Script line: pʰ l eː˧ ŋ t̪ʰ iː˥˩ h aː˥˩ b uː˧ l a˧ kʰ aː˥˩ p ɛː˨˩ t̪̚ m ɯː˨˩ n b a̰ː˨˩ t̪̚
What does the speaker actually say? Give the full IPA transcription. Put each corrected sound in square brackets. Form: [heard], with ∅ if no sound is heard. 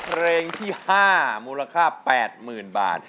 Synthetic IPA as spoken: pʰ [ɾ] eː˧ ŋ t̪ʰ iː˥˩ h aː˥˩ [m] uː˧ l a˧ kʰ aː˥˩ p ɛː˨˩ t̪̚ m ɯː˨˩ n b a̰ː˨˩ t̪̚